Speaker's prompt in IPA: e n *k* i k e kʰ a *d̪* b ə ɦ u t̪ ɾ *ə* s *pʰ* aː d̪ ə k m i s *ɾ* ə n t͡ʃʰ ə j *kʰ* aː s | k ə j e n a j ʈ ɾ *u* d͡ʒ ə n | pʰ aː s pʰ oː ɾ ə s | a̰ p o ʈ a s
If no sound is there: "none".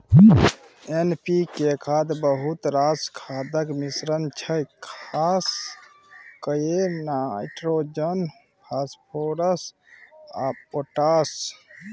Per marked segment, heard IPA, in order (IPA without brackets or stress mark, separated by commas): p, d̪, a, kʰ, ɾ, kʰ, o